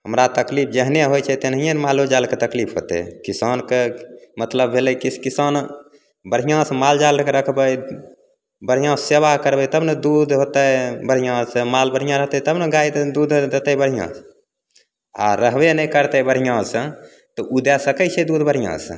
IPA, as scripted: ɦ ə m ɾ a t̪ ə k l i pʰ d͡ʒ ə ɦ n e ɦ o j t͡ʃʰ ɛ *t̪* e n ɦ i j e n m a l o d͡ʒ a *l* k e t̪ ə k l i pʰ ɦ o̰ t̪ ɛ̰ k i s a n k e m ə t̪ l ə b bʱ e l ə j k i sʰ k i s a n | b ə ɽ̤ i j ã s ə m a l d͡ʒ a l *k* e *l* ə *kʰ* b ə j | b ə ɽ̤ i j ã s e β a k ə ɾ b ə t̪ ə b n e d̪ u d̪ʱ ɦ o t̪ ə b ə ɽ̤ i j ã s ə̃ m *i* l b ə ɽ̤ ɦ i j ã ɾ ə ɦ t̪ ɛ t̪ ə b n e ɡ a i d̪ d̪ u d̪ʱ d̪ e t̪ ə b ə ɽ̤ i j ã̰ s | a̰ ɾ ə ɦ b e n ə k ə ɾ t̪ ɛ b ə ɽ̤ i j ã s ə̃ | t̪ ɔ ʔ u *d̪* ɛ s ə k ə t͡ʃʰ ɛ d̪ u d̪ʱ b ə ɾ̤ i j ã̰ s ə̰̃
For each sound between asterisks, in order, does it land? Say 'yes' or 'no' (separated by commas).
yes, yes, yes, no, yes, no, yes